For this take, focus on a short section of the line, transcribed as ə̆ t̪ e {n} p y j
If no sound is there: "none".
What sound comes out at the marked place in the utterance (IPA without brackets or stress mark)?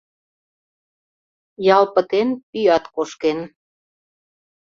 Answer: n